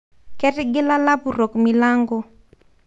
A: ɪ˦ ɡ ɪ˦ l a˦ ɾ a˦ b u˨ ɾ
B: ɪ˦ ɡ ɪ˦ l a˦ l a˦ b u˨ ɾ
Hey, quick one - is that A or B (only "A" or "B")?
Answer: B